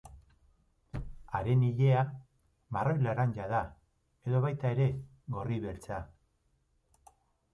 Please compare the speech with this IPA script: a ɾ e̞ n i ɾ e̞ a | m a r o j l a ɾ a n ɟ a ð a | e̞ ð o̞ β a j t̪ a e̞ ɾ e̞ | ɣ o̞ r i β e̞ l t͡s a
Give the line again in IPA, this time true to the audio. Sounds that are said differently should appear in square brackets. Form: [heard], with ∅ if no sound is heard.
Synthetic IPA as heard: a ɾ e̞ n i [ʎ] e̞ a | m a r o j l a ɾ a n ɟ a ð a | e̞ ð o̞ β a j t̪ a e̞ ɾ e̞ | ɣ o̞ r i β e̞ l t͡s a